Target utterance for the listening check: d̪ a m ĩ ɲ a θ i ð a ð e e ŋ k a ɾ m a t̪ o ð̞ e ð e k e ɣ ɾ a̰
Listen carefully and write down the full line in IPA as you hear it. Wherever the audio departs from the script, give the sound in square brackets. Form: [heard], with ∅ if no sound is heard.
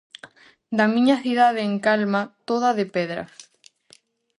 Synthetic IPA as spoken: d̪ a m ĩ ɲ a θ i ð a ð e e ŋ k a [l] m a t̪ o ð̞ [a] ð e [p] e [ð] ɾ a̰